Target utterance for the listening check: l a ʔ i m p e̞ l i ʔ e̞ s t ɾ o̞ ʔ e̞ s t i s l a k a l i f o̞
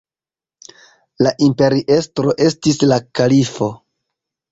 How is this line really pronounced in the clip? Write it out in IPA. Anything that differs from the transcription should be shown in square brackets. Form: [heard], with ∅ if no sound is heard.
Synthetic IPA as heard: l a ʔ i m p e̞ [ɾ] i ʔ e̞ s t ɾ o̞ ʔ e̞ s t i s l a k a l i f o̞

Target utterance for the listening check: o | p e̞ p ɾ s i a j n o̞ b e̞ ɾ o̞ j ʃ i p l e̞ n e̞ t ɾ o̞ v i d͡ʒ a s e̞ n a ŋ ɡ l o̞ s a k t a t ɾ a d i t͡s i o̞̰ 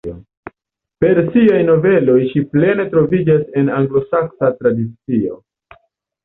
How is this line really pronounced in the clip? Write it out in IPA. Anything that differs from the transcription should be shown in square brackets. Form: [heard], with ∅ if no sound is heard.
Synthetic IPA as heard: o | p e̞ [∅] ɾ s i a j n o̞ [v] e̞ [l] o̞ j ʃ i p l e̞ n e̞ t ɾ o̞ v i d͡ʒ a s e̞ n a ŋ ɡ l o̞ s a k [s] a t ɾ a d i t͡s i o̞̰

